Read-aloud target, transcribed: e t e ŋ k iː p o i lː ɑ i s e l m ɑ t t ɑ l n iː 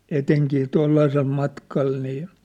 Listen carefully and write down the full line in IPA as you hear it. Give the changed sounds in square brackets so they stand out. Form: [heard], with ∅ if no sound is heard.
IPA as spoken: e t e ŋ k iː [t] o i lː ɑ i s e l m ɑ t [k] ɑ l n iː